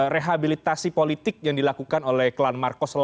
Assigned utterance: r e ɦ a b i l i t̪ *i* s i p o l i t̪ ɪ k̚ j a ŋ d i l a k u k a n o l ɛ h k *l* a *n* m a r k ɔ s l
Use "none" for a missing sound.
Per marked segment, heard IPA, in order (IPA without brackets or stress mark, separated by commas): a, l, n